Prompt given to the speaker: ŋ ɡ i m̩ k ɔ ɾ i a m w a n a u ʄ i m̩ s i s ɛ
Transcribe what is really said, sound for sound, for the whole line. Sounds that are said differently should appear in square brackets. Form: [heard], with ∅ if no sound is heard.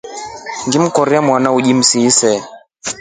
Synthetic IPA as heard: ŋ ɡ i m̩ k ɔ ɾ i a m w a n a u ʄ i m̩ s i s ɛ